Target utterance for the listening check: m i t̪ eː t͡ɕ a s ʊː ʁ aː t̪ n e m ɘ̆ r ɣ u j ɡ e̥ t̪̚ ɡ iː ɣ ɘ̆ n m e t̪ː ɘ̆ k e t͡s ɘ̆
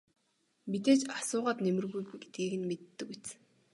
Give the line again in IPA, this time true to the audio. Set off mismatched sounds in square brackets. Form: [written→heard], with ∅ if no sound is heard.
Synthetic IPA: m i t̪ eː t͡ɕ a s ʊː ʁ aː t̪ n e m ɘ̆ r ɣ u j ɡ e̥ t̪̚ ɡ iː ɣ ɘ̆ n m e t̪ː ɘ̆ k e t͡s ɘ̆